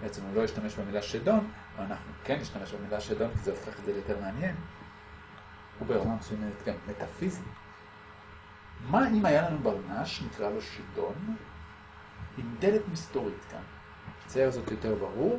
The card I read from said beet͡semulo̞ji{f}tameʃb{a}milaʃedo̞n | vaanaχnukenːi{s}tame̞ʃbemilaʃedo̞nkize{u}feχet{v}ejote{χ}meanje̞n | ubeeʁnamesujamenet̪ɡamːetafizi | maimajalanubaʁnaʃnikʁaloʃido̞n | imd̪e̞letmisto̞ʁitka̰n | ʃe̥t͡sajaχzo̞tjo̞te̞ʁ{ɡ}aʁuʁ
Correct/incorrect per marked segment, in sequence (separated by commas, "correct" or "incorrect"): incorrect, incorrect, incorrect, incorrect, incorrect, incorrect, incorrect